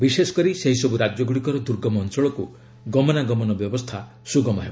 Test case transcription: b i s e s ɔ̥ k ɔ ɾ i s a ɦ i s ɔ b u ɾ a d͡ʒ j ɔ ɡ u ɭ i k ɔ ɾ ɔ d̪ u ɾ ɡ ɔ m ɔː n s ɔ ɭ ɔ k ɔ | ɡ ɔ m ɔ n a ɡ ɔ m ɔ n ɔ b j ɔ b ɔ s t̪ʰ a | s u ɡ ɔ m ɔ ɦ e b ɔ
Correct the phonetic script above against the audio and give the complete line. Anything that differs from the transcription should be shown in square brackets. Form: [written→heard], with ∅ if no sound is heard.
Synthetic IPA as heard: b i s e s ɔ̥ k ɔ ɾ i s [a→e] ɦ i s ɔ b u ɾ a d͡ʒ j ɔ ɡ u [ɭ→ɽ] i k ɔ ɾ ɔ d̪ u ɾ ɡ ɔ m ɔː n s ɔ ɭ ɔ k [ɔ→u] | ɡ ɔ m ɔ n a ɡ ɔ m ɔ n ɔ b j ɔ b ɔ s t̪ʰ a | s u ɡ ɔ m ɔ ɦ e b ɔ